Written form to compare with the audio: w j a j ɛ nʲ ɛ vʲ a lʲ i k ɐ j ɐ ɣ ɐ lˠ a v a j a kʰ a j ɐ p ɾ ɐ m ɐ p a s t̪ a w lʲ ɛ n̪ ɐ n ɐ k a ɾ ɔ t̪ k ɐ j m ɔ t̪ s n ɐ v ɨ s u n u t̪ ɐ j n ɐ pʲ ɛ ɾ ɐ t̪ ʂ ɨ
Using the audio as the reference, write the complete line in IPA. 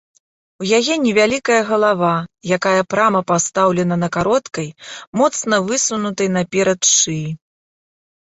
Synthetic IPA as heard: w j a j ɛ nʲ ɛ vʲ a lʲ i k ɐ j ɐ ɣ ɐ lˠ a v a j a k a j ɐ p ɾ a m ɐ p a s t̪ a w lʲ ɛ n̪ ɐ n ɐ k a ɾ ɔ t̪ k ɐ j m ɔ t̪ s n ɐ v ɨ s u n u t̪ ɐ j n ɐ pʲ ɛ ɾ ɐ t̪ ʂ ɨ